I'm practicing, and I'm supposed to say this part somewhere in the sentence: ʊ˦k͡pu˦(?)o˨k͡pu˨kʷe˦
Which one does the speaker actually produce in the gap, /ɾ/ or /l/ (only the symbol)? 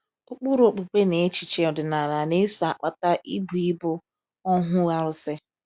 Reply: ɾ